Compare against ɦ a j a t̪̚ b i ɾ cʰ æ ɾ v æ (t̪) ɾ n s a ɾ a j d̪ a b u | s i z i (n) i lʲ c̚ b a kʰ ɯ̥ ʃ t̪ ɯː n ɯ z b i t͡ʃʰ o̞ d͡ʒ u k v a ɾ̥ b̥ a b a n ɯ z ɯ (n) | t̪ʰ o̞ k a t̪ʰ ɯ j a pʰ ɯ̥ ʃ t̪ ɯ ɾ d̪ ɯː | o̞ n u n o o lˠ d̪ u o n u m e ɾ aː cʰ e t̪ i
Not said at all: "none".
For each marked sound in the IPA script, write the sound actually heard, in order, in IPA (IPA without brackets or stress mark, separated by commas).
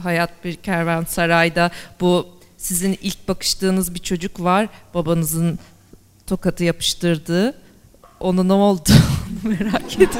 none, n, n